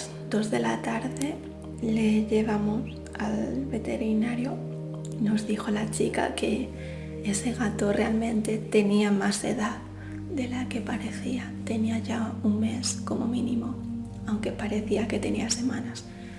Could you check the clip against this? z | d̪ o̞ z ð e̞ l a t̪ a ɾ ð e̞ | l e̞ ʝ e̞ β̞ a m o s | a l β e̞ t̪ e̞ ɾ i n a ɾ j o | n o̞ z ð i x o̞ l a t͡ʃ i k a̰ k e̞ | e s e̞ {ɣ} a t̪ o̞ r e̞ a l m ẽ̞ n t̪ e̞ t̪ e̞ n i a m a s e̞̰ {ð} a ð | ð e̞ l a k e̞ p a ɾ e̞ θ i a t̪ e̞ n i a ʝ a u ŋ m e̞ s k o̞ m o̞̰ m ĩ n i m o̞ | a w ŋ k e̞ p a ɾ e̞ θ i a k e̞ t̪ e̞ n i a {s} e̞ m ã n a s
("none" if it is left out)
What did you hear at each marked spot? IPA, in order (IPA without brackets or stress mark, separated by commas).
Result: ɣ, ð, s